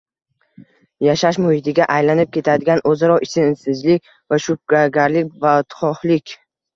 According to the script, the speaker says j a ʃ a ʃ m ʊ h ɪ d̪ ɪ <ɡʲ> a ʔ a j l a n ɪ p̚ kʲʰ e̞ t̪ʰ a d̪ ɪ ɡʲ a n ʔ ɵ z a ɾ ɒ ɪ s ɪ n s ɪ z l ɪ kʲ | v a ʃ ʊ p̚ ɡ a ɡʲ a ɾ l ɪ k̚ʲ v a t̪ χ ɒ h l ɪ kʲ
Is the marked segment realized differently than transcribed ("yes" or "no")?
no